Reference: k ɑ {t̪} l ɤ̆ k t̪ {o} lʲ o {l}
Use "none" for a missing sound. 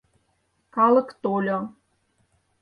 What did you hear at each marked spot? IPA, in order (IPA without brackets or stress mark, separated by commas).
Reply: none, o, none